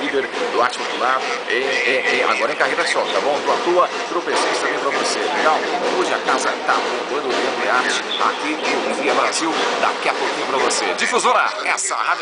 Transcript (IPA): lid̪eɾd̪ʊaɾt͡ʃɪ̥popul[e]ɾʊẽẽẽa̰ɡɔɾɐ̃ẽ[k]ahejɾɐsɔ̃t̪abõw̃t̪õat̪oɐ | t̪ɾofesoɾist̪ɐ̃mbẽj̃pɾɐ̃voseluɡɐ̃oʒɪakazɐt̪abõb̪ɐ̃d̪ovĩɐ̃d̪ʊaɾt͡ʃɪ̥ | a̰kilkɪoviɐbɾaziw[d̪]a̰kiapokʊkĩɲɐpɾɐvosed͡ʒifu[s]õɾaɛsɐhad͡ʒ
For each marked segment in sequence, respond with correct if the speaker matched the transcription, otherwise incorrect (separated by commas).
incorrect, correct, correct, incorrect